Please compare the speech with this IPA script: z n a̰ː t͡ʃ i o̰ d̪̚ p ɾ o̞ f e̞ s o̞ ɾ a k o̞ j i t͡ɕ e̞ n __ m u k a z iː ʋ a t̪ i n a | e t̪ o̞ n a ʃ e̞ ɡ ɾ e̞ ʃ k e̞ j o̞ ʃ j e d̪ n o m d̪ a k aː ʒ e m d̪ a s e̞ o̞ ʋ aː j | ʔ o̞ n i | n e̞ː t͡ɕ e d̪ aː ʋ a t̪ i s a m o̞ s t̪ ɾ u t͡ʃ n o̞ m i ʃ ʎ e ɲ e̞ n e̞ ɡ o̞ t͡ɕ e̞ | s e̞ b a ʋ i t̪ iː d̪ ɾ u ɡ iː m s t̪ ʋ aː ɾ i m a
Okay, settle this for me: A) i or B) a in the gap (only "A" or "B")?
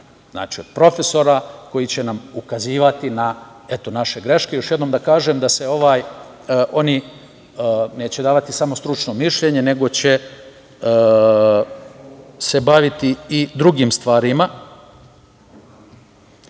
B